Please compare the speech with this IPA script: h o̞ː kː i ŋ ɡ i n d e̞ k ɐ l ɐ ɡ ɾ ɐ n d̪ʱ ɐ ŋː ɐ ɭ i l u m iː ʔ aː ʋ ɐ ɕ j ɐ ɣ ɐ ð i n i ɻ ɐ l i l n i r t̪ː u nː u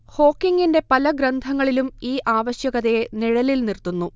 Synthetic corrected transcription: h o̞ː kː i ŋ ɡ i n d e̞ p ɐ l ɐ ɡ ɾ ɐ n d̪ʱ ɐ ŋː ɐ ɭ i l u m iː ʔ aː ʋ ɐ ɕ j ɐ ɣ ɐ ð e n i ɻ ɐ l i l n i r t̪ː u nː u

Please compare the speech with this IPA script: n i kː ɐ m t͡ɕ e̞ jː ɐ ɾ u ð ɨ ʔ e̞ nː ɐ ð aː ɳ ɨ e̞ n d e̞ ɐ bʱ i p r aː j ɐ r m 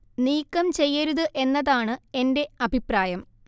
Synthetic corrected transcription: n iː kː ɐ m t͡ɕ e̞ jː ɐ ɾ u ð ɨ ʔ e̞ nː ɐ ð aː ɳ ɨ e̞ n d e̞ ɐ bʱ i p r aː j ɐ m

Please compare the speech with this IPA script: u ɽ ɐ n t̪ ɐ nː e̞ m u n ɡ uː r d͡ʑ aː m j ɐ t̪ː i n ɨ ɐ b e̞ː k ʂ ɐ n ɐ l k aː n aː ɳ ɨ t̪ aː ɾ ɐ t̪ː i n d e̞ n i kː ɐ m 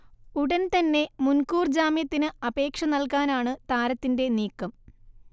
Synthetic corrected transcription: u ɽ ɐ n t̪ ɐ nː e̞ m u n k uː r d͡ʑ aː m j ɐ t̪ː i n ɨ ɐ b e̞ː k ʂ ɐ n ɐ l k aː n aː ɳ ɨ t̪ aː ɾ ɐ t̪ː i n d e̞ n iː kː ɐ m

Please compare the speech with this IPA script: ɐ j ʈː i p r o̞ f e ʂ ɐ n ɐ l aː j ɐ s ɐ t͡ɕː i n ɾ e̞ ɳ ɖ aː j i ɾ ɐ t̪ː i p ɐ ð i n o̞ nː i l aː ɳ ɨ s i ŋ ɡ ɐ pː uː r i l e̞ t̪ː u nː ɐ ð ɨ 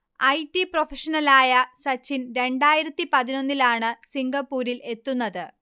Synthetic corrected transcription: ɐ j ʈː i p r o̞ f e ʂ ɐ n ɐ l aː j ɐ s ɐ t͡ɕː i n ɾ e̞ ɳ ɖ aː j i ɾ ɐ t̪ː i p ɐ ð i n o̞ nː i l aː ɳ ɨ s i ŋ ɡ ɐ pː uː ɾ i l e̞ t̪ː u nː ɐ ð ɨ

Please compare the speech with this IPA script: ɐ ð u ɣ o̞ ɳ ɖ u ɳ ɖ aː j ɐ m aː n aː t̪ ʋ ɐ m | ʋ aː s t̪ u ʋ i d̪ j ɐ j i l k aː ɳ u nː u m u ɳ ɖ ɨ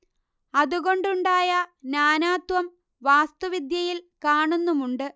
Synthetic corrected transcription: ɐ ð u ɣ o̞ ɳ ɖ u ɳ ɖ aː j ɐ n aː n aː t̪ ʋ ɐ m | ʋ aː s t̪ u ʋ i d̪ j ɐ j i l k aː ɳ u nː u m u ɳ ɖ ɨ

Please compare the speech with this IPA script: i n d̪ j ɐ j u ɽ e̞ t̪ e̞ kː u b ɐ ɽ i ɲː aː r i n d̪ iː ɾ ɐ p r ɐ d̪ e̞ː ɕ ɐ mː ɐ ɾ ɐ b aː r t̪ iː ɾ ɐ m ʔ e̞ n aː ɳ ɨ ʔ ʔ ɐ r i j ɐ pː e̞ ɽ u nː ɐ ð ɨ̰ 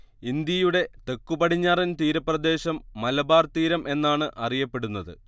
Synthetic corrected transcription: i n d̪ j ɐ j u ɽ e̞ t̪ e̞ kː u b ɐ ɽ i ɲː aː r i n t̪ iː ɾ ɐ p r ɐ d̪ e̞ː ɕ ɐ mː ɐ l ɐ b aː r t̪ iː ɾ ɐ m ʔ e̞ nː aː ɳ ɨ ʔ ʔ ɐ r i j ɐ pː e̞ ɽ u nː ɐ ð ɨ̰

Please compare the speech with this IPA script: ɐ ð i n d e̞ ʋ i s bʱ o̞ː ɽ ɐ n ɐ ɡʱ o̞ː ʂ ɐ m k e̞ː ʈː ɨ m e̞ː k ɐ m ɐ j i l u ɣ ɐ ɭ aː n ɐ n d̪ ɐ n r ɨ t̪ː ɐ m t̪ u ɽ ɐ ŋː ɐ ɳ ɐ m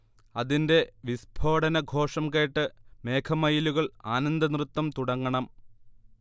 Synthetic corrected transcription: ɐ ð i n d e̞ ʋ i s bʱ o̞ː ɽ ɐ n ɐ ɡʱ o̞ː ʂ ɐ m k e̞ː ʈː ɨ m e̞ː kʰ ɐ m ɐ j i l u ɣ ɐ ɭ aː n ɐ n d̪ ɐ n r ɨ t̪ː ɐ m t̪ u ɽ ɐ ŋː ɐ ɳ ɐ m

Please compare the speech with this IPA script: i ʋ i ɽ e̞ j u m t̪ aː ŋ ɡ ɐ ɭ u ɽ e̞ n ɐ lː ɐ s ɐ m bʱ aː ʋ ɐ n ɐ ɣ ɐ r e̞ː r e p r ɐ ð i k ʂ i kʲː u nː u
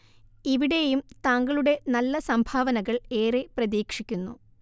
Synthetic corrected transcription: i ʋ i ɽ e̞ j u m t̪ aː ŋ ɡ ɐ ɭ u ɽ e̞ n ɐ lː ɐ s ɐ m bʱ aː ʋ ɐ n ɐ ɣ ɐ ɭ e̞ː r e p r ɐ ð iː k ʂ i kʲː u nː u

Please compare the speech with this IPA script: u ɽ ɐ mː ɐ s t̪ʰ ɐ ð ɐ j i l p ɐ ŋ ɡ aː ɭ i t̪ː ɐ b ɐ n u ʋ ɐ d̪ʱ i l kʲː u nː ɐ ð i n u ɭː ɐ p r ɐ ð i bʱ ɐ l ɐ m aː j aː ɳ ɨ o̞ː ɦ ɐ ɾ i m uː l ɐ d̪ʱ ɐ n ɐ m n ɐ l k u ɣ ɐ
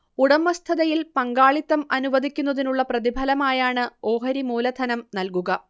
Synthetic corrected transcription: u ɽ ɐ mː ɐ s t̪ʰ ɐ ð ɐ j i l p ɐ ŋ ɡ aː ɭ i t̪ː ɐ m ɐ n u ʋ ɐ d̪ʱ i kʲː u nː ɐ ð i n u ɭː ɐ p r ɐ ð i bʱ ɐ l ɐ m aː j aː ɳ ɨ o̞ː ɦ ɐ ɾ i m uː l ɐ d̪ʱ ɐ n ɐ m n ɐ l k u ɣ ɐ

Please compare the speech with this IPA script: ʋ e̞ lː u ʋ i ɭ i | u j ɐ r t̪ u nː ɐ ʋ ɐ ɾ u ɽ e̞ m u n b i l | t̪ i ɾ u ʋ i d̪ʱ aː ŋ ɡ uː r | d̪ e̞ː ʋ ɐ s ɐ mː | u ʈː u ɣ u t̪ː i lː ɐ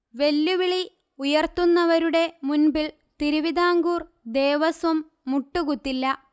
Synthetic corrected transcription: ʋ e̞ lː u ʋ i ɭ i | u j ɐ r t̪ u nː ɐ ʋ ɐ ɾ u ɽ e̞ m u n b i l | t̪ i ɾ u ʋ i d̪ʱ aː ŋ ɡ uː r | d̪ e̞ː ʋ ɐ s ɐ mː | u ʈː u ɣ u t̪ː i lː ɐ

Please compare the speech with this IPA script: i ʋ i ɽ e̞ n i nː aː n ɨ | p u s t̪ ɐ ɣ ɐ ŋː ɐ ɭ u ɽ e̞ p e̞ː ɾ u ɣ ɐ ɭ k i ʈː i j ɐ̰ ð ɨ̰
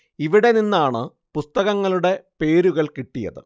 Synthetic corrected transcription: i ʋ i ɽ e̞ n i nː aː ɳ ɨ | p u s t̪ ɐ ɣ ɐ ŋː ɐ ɭ u ɽ e̞ p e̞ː ɾ u ɣ ɐ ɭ k i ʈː i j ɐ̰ ð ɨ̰

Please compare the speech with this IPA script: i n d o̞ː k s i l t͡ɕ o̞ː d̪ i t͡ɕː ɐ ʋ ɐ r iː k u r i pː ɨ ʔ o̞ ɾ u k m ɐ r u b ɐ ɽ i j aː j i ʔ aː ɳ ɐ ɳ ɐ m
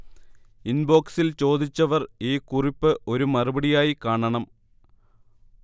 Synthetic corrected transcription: i n b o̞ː k s i l t͡ɕ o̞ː d̪ i t͡ɕː ɐ ʋ ɐ r iː k u r i pː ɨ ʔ o̞ ɾ u m ɐ r u b ɐ ɽ i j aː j i k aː ɳ ɐ ɳ ɐ m

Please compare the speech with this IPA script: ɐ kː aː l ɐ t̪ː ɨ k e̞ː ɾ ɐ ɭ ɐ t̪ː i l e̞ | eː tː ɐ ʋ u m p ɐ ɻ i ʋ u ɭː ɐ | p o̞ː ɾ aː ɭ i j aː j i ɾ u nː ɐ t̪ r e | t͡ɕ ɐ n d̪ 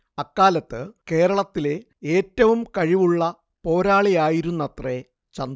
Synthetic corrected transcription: ɐ kː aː l ɐ t̪ː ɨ k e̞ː ɾ ɐ ɭ ɐ t̪ː i l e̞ | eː tː ɐ ʋ u m k ɐ ɻ i ʋ u ɭː ɐ | p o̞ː ɾ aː ɭ i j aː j i ɾ u nː ɐ t̪ r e | t͡ɕ ɐ n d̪

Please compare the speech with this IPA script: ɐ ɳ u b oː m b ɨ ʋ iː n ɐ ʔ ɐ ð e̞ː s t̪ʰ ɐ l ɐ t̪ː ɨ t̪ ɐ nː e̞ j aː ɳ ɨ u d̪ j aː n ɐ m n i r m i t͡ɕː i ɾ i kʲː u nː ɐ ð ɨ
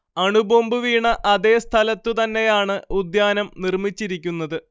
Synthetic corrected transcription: ɐ ɳ u b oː m b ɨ ʋ iː ɳ ɐ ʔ ɐ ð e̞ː s t̪ʰ ɐ l ɐ t̪ː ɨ t̪ ɐ nː e̞ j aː ɳ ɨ u d̪ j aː n ɐ m n i r m i t͡ɕː i ɾ i kʲː u nː ɐ ð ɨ

